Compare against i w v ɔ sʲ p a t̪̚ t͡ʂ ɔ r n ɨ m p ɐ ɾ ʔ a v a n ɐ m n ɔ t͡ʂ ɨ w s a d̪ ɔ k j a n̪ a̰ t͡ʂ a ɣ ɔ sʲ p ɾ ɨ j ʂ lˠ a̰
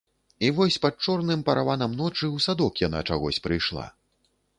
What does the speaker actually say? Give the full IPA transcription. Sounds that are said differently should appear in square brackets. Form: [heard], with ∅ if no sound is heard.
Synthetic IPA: i [∅] v ɔ sʲ p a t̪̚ t͡ʂ ɔ r n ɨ m p ɐ ɾ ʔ a v a n ɐ m n ɔ t͡ʂ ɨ w s a d̪ ɔ k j a n̪ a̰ t͡ʂ a ɣ ɔ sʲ p ɾ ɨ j ʂ lˠ a̰